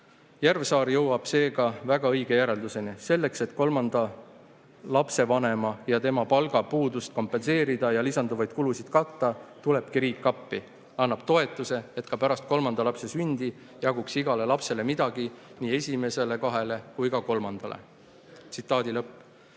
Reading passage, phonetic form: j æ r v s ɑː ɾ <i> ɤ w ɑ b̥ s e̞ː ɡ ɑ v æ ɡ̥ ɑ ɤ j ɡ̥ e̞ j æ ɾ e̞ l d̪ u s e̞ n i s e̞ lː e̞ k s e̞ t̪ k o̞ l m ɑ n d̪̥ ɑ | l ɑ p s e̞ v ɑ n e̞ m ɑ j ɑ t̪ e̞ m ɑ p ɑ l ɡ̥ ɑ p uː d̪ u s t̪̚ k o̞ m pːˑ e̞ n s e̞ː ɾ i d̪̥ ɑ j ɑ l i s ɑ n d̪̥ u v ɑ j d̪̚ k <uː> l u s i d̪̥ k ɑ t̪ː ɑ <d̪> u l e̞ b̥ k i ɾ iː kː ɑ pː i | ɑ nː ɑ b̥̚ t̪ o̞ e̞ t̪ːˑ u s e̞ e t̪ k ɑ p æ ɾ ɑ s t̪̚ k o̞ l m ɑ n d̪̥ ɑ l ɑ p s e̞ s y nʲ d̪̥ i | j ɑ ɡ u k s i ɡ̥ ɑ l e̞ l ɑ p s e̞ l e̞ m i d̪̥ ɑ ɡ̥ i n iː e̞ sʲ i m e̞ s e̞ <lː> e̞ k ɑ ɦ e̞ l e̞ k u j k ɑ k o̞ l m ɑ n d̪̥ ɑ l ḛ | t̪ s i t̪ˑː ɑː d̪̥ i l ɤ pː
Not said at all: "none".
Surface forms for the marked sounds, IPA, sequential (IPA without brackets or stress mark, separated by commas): j, u, t̪, l